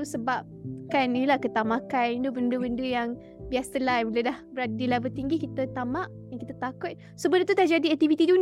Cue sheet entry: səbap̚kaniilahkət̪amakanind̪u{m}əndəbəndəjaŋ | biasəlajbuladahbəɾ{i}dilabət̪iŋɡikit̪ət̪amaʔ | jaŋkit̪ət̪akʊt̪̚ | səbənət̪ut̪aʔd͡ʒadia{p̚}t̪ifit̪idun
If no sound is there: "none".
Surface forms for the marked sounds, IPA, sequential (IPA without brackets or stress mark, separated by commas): b, a, k̚